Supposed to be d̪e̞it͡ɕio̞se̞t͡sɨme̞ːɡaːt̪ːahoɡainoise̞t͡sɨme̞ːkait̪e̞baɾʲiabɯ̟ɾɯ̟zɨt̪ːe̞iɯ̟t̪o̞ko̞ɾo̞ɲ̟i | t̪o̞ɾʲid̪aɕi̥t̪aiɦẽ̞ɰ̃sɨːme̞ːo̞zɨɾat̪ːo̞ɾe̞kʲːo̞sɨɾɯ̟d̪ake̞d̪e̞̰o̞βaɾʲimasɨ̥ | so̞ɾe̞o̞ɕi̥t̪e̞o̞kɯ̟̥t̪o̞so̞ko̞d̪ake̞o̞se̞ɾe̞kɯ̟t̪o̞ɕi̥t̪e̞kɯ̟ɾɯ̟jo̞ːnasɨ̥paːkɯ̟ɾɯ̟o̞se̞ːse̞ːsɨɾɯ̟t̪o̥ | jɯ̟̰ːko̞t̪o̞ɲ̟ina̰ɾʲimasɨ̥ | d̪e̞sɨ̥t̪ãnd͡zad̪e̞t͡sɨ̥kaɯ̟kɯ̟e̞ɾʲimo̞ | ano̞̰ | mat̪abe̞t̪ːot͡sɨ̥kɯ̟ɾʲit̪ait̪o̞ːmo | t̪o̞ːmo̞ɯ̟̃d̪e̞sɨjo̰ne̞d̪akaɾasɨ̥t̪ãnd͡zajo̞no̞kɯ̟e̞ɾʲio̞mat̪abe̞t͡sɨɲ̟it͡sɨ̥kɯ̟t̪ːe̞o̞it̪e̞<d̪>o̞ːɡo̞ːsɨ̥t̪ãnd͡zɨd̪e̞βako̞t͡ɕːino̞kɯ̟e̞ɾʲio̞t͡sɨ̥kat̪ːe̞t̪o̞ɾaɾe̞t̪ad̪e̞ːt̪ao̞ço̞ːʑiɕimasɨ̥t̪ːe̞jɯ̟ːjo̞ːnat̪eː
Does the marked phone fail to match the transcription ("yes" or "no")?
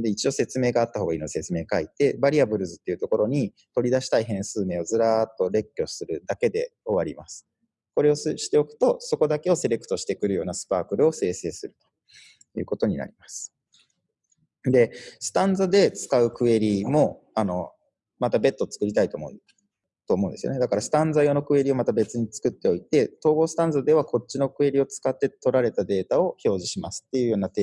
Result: yes